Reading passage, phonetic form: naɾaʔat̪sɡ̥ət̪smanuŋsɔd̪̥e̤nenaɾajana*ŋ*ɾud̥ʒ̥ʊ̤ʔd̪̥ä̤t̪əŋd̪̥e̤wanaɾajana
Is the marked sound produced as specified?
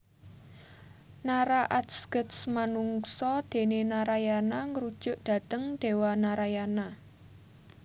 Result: yes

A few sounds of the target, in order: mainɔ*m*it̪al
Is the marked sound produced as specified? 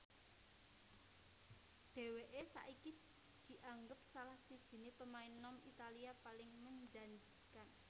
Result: yes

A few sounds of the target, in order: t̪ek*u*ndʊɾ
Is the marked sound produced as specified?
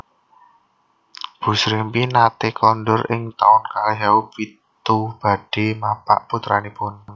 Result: no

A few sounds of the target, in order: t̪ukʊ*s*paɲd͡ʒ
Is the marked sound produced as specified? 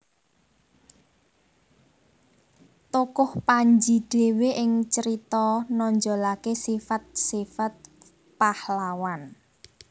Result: no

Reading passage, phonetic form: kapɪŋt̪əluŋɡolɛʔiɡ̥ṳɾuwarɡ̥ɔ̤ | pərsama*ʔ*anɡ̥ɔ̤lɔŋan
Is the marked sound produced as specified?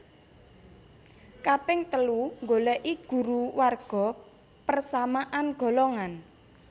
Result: yes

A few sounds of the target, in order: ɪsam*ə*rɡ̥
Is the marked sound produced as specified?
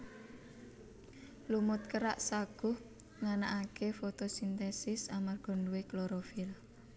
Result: no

